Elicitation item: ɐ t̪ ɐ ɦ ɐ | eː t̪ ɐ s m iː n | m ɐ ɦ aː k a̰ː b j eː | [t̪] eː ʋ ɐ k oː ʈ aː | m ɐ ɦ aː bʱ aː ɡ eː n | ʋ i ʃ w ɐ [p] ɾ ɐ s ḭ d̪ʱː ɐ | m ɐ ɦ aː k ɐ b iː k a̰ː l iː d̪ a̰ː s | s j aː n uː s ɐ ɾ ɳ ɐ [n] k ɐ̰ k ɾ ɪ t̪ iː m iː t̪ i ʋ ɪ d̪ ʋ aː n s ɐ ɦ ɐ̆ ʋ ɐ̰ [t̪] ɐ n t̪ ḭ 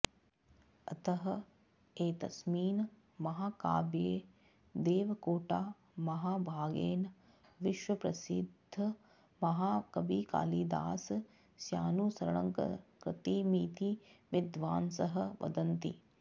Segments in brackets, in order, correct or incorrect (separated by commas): incorrect, correct, incorrect, incorrect